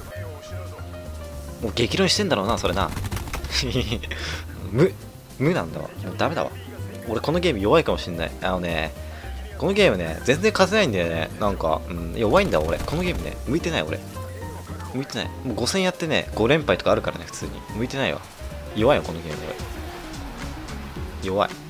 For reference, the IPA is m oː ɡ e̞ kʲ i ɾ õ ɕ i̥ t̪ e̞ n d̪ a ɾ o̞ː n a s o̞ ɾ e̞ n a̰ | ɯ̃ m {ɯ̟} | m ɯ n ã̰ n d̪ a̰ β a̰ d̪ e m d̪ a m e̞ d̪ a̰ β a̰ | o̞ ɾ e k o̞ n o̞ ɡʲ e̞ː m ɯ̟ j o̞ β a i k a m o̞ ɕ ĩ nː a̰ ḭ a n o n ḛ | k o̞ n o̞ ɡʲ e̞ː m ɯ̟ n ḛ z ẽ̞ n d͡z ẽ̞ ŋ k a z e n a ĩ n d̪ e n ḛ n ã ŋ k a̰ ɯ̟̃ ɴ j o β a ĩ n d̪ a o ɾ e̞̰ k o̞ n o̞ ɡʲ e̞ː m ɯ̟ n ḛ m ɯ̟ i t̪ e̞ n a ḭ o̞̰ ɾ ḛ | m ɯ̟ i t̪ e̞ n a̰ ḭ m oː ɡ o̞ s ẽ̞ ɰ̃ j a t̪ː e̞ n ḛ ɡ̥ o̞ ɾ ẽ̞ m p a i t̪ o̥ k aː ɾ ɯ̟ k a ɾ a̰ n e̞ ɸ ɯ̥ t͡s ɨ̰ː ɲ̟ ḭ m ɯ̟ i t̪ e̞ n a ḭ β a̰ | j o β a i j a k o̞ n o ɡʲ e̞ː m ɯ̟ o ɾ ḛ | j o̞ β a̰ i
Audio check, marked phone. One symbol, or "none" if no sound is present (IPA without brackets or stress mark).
ɯ̟